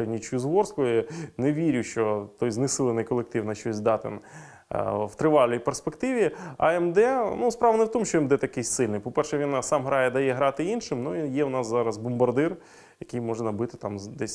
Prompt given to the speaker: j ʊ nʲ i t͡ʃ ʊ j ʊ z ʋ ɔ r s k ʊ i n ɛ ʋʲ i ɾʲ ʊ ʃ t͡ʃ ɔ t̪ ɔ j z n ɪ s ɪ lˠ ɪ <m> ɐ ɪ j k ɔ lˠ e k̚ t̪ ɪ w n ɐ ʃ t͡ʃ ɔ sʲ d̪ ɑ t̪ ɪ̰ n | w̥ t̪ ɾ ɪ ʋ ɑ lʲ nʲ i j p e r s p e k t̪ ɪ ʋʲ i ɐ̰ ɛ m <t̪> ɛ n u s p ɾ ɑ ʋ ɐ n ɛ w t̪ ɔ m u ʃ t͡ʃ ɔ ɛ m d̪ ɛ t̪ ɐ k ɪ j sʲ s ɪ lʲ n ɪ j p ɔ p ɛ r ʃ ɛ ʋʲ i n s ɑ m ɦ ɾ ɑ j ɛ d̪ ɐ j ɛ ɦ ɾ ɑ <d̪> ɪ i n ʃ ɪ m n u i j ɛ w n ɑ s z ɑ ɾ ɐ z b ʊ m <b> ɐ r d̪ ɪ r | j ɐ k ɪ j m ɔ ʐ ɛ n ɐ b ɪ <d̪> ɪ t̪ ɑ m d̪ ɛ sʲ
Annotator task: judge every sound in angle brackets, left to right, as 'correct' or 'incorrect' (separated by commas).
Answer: incorrect, incorrect, incorrect, correct, incorrect